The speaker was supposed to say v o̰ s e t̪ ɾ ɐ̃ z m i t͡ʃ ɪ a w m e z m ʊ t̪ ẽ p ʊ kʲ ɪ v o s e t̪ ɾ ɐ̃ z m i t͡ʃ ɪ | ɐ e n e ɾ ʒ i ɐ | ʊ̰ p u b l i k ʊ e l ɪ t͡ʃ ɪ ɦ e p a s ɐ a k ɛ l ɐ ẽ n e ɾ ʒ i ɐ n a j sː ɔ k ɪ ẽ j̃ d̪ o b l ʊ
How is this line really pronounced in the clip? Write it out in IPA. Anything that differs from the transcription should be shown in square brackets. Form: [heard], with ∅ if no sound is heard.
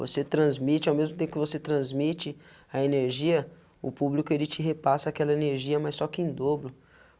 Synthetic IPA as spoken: v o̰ s e t̪ ɾ ɐ̃ z m i t͡ʃ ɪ a w m e z m ʊ t̪ ẽ p ʊ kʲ ɪ v o s e t̪ ɾ ɐ̃ z m i t͡ʃ ɪ | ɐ e n e ɾ ʒ i ɐ | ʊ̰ p u b l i k ʊ e l ɪ t͡ʃ ɪ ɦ e p a s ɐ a k ɛ l ɐ [e] n e ɾ ʒ i ɐ [m] a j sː ɔ k ɪ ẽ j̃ d̪ o b l ʊ